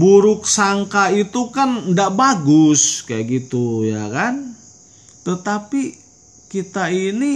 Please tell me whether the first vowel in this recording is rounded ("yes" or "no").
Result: yes